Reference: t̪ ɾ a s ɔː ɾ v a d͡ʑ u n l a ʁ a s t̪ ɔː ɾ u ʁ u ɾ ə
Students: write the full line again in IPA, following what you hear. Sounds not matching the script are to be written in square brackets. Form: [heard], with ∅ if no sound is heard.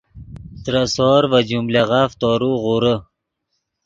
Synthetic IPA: t̪ ɾ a s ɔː ɾ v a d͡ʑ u [m] l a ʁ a [f] t̪ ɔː ɾ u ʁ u ɾ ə